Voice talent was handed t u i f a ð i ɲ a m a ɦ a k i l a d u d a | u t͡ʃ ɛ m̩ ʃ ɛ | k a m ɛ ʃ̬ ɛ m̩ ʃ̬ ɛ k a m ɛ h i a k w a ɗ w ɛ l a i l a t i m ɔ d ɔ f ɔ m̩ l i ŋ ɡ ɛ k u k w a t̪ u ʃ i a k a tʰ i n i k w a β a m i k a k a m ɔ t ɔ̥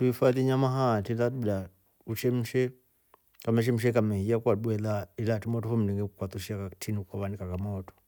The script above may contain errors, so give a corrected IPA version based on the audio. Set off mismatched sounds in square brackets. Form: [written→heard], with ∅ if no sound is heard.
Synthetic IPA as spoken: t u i f a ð i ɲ a m a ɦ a [k→t] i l a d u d a | u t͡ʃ ɛ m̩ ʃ ɛ | k a m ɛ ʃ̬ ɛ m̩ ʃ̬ ɛ k a m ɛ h i a k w a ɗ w ɛ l a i l a t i m ɔ [d→t] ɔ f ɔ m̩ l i ŋ ɡ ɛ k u k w a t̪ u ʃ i a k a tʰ i n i k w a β a [m→n] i k a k a m ɔ t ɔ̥